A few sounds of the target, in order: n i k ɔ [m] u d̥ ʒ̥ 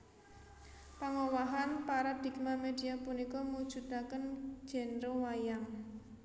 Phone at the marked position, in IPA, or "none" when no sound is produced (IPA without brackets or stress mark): m